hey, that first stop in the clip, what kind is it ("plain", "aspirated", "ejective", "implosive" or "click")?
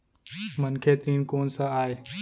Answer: aspirated